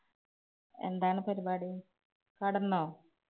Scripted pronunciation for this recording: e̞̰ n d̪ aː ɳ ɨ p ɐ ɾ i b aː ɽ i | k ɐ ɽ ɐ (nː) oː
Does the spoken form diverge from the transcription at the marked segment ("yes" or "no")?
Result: no